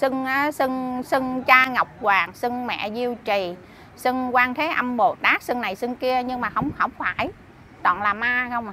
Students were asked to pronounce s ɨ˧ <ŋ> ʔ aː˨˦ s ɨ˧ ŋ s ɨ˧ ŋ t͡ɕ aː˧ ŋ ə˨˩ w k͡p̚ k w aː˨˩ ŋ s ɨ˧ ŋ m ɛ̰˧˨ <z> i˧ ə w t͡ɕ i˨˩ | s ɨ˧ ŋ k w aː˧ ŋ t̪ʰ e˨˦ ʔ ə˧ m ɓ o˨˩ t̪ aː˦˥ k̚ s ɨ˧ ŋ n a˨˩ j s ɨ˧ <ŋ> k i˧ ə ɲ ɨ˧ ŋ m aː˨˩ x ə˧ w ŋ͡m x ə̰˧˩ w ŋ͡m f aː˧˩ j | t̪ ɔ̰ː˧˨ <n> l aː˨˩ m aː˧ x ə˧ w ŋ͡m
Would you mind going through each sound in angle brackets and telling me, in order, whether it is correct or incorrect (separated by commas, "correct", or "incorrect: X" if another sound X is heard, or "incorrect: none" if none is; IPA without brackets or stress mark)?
correct, correct, correct, correct